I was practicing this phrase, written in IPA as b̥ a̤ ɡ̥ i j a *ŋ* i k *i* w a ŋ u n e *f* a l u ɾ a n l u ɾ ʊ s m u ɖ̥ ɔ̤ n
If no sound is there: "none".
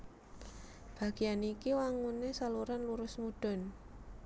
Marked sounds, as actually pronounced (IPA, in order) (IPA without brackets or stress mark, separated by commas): n, i, s